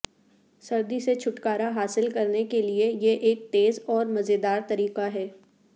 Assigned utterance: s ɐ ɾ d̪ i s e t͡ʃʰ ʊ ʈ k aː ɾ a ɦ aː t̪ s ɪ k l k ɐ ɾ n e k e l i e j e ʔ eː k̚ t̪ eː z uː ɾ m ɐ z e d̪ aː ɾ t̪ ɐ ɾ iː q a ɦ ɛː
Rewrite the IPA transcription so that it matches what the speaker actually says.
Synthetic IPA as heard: s ɐ ɾ d̪ i s e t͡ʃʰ ʊ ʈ k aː ɾ a ɦ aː s ɪ l k ɐ ɾ n e k e l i e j e ʔ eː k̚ t̪ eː z ɔː ɾ m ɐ z e d̪ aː ɾ t̪ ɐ ɾ iː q a ɦ ɛː